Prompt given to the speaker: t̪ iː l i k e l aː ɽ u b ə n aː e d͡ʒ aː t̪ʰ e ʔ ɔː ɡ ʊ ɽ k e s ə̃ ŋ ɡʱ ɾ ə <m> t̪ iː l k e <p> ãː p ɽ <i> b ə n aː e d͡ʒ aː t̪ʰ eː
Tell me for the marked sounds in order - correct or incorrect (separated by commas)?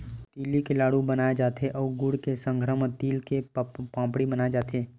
correct, correct, correct